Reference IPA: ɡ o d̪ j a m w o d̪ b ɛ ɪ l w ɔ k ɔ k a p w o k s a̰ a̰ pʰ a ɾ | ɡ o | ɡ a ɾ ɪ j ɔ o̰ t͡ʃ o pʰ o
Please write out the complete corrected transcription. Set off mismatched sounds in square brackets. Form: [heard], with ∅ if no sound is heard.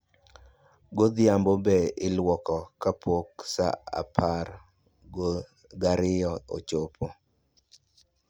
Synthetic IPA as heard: ɡ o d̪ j a m [b] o [∅] b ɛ ɪ l w ɔ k ɔ k a p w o k s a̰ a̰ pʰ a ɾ | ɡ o | ɡ a ɾ ɪ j ɔ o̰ t͡ʃ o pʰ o